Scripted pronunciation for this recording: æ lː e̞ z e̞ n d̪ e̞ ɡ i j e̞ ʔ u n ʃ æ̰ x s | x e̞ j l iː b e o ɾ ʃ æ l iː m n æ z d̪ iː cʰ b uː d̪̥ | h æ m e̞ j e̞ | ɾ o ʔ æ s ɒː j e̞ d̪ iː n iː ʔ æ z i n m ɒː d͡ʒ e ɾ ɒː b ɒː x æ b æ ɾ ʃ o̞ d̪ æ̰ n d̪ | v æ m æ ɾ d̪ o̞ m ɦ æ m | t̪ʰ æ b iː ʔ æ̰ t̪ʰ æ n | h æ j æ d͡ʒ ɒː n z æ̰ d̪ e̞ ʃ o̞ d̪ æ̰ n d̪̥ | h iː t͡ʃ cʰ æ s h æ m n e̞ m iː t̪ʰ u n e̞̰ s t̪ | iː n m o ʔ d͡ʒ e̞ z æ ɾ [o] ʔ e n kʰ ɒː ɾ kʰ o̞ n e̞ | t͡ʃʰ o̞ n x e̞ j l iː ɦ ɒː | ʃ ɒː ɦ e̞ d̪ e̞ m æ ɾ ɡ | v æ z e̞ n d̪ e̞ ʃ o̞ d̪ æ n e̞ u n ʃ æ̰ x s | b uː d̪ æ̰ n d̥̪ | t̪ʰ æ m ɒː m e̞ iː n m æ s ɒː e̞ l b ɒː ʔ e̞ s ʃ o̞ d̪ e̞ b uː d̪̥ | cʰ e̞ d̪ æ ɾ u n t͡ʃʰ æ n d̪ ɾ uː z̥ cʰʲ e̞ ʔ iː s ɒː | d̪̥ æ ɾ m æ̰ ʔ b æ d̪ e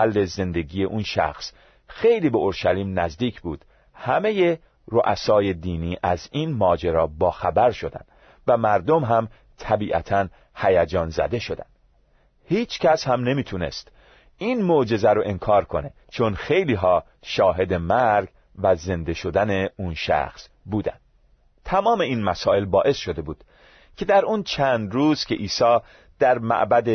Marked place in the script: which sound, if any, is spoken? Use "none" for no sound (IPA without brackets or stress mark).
o